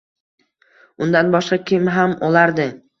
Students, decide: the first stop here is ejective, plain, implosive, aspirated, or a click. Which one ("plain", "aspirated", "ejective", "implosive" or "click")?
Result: plain